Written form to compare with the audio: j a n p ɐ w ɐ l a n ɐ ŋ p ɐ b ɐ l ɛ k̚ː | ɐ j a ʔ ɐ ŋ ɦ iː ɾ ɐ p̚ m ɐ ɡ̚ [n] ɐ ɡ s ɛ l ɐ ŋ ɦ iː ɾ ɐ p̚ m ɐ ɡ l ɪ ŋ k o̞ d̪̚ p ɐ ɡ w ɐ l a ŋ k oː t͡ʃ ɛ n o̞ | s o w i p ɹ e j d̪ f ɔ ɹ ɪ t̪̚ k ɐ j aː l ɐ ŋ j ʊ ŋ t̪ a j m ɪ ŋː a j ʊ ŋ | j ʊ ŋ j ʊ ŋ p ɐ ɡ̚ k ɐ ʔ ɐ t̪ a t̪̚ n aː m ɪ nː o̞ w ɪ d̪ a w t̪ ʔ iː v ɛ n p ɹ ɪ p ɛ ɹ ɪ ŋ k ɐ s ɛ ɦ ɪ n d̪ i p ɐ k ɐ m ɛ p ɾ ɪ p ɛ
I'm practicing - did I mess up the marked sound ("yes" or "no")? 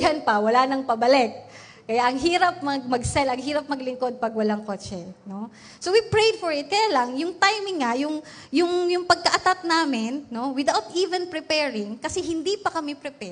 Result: yes